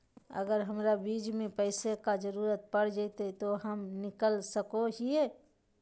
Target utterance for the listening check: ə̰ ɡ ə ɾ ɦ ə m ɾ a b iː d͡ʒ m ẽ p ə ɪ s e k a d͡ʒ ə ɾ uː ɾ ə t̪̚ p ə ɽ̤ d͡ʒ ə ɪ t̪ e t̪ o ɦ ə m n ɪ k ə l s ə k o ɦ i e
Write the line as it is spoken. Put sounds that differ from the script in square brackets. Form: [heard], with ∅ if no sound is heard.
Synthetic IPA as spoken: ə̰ ɡ ə ɾ ɦ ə m ɾ a b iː d͡ʒ m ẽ p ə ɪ s e k a d͡ʒ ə ɾ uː ɾ ə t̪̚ p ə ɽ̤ d͡ʒ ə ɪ t̪ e t̪ o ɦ ə m n ɪ k ə l s ə k o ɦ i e

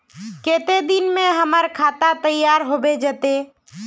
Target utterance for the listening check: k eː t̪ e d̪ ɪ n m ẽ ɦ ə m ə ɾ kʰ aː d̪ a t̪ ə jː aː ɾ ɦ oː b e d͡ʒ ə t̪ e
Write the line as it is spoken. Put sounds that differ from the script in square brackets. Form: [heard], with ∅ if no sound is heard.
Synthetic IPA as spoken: k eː t̪ e d̪ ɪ n m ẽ ɦ ə m ə ɾ kʰ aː [t̪] a t̪ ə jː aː ɾ ɦ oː b e d͡ʒ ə t̪ e

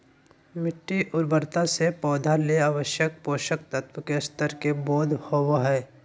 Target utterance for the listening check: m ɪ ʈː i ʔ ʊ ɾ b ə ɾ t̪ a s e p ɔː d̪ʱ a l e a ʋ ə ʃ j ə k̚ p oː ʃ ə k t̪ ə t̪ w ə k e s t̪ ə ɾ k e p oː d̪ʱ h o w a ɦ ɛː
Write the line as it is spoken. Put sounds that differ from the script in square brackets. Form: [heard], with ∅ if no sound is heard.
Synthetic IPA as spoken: m ɪ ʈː i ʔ ʊ ɾ b ə ɾ t̪ a s e p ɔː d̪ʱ a l e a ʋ ə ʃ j ə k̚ p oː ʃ ə k t̪ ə t̪ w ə k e s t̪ ə ɾ k e [b] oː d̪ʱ h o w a ɦ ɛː

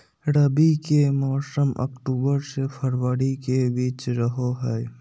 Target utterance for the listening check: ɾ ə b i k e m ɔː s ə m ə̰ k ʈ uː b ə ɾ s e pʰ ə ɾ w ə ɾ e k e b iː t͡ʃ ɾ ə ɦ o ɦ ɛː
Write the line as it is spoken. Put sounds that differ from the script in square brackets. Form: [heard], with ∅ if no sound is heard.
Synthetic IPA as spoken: ɾ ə b i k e m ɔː s ə m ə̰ k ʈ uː b ə ɾ s e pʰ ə ɾ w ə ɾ [i] k e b iː t͡ʃ ɾ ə ɦ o ɦ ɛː

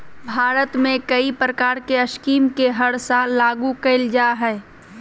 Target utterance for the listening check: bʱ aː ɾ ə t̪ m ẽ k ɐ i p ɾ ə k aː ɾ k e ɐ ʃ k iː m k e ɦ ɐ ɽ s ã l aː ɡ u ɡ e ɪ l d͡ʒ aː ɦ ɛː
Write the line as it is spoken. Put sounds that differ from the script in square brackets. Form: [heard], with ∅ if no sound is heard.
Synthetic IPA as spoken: bʱ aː ɾ ə t̪ m ẽ k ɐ i p ɾ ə k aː ɾ k e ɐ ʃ k iː m k e ɦ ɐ ɽ s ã l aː ɡ u [k] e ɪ l d͡ʒ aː ɦ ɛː

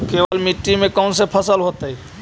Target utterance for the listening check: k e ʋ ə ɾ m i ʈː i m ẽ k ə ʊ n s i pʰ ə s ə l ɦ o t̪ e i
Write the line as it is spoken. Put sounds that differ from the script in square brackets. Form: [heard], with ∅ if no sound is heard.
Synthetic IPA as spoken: k e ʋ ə [l] m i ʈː i m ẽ k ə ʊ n s [e] pʰ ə s ə l ɦ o t̪ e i

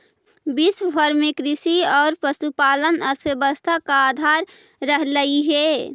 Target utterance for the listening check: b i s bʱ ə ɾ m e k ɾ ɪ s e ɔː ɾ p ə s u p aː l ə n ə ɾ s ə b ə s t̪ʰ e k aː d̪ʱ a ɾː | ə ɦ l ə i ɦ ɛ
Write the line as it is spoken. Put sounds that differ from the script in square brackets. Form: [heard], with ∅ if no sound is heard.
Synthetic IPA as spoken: b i s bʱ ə ɾ m e k ɾ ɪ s [i] ɔː ɾ p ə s u p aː l ə n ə ɾ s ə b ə s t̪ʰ [a] k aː d̪ʱ a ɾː | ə ɦ l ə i ɦ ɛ

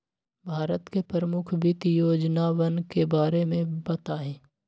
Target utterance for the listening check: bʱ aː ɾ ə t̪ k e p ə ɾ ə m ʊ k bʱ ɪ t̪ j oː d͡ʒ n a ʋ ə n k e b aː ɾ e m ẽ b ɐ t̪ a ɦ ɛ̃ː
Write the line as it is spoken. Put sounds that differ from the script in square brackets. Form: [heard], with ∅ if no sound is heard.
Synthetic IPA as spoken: bʱ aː ɾ ə t̪ k e p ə ɾ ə m ʊ [kʰ] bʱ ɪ t̪ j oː d͡ʒ n a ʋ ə n k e b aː ɾ e m ẽ b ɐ t̪ a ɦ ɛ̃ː

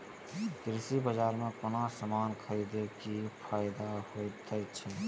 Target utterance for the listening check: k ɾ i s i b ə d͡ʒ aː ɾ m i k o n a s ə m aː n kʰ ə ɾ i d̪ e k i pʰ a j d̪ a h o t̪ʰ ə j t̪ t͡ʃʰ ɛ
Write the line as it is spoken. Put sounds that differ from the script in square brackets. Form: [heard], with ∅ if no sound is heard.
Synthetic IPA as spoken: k ɾ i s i b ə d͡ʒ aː ɾ m [e] k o n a s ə m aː n kʰ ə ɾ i d̪ e k i pʰ a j d̪ a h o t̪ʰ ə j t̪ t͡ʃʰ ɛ

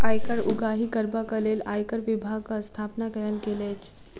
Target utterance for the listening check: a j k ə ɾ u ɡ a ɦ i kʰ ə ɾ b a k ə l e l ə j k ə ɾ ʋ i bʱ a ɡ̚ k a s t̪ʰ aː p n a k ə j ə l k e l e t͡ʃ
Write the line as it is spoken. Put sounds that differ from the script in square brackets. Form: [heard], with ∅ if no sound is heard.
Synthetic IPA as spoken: a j k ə ɾ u ɡ a ɦ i [k] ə ɾ b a k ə l e l [a] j k ə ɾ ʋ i bʱ a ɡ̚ k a s t̪ʰ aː p n a k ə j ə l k e l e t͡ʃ

